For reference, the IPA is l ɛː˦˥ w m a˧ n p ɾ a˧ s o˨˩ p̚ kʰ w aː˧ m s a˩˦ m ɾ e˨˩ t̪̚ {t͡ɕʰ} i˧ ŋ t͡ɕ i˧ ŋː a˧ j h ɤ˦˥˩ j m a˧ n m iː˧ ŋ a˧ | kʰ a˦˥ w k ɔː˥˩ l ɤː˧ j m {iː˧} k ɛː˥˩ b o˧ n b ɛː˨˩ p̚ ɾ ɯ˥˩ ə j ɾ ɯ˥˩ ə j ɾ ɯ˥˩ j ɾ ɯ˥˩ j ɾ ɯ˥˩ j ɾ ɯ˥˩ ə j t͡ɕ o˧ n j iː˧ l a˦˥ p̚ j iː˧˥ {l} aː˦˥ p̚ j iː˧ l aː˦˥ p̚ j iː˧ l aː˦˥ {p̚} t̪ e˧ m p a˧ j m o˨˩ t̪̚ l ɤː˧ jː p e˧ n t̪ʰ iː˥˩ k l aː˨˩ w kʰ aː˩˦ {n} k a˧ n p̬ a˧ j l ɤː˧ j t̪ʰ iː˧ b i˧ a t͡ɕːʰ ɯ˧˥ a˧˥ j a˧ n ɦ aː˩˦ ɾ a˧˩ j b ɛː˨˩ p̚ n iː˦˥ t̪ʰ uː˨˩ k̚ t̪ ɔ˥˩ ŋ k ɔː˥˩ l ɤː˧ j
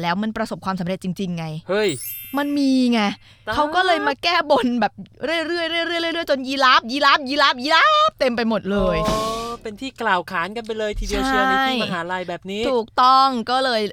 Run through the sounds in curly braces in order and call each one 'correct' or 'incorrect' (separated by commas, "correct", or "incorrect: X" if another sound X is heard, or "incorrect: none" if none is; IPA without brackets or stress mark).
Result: incorrect: t͡ɕ, incorrect: aː˧, correct, correct, correct